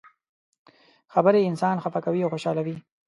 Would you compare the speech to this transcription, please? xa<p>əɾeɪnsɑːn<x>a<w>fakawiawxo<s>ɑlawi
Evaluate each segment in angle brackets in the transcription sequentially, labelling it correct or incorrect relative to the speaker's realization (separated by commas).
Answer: incorrect, correct, incorrect, incorrect